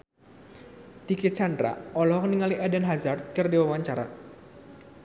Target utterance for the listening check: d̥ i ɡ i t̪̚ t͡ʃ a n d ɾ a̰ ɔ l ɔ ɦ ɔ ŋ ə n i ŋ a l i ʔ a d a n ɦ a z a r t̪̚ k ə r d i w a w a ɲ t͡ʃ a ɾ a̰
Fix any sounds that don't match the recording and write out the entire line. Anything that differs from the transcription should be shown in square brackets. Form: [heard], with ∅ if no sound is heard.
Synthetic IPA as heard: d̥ i [k] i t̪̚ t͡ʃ a n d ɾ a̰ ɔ l ɔ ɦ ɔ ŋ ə n i ŋ a l i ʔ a d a n ɦ a z a r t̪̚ k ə r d i w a w a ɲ t͡ʃ a ɾ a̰